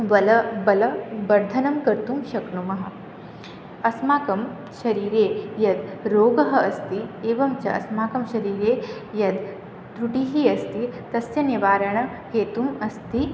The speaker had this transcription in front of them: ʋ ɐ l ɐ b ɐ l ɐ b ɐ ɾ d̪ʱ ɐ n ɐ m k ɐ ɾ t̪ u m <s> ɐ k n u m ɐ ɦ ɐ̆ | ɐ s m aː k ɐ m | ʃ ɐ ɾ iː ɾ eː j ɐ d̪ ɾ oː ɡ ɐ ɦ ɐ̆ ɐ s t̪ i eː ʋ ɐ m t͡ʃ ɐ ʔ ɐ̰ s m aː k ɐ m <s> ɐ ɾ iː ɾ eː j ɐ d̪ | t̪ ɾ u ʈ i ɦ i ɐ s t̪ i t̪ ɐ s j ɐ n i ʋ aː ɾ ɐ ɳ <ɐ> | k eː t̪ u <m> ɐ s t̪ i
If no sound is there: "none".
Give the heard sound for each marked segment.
ʃ, ʃ, ɐ, m

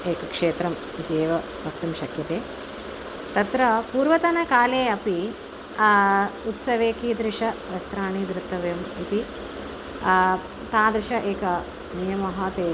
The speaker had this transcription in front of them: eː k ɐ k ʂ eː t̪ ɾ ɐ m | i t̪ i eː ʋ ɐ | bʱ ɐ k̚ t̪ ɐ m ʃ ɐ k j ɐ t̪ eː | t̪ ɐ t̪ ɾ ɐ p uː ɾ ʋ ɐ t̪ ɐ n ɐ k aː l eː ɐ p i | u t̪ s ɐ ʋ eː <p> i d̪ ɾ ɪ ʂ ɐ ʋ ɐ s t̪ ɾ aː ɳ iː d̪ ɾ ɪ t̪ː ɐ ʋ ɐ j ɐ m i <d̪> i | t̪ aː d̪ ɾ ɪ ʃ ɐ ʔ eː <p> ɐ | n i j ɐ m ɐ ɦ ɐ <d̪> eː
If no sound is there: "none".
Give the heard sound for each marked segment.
k, t̪, k, t̪

